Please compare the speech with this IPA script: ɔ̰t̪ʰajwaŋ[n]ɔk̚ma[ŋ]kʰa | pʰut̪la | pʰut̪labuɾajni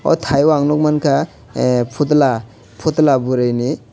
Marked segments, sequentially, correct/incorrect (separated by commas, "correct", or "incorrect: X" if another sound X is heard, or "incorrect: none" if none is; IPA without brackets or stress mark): correct, incorrect: n